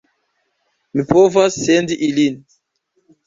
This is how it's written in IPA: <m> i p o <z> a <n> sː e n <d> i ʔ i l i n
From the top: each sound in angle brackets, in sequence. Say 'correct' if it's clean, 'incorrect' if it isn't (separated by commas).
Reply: correct, incorrect, incorrect, correct